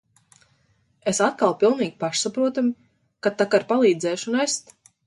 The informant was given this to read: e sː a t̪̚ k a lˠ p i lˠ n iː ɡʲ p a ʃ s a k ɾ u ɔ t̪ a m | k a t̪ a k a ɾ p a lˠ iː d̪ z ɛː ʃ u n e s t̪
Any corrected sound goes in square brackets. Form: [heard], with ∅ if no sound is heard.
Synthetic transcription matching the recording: e [s] a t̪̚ k a lˠ p i lˠ n iː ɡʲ p a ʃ s a [p] ɾ u ɔ t̪ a m | k a t̪ a k a ɾ p a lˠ iː d̪ z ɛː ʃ u n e s t̪